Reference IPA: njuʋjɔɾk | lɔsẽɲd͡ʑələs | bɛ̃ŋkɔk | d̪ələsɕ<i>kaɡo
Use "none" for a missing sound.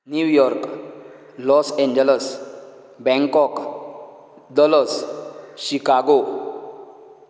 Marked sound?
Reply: i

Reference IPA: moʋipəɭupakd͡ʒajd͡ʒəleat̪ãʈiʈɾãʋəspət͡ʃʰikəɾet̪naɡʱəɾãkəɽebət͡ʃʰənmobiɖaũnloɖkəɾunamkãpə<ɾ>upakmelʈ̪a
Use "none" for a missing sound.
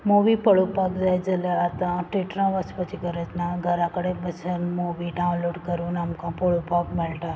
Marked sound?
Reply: ɭ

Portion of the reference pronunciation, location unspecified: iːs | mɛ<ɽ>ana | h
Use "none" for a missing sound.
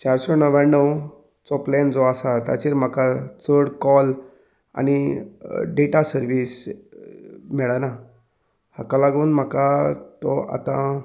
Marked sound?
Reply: ɭ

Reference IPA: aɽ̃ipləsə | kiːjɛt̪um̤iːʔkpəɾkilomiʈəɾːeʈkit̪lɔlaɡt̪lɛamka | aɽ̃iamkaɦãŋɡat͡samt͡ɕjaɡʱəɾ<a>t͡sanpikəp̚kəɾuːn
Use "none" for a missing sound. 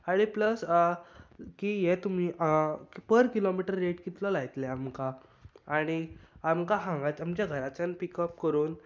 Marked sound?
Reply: a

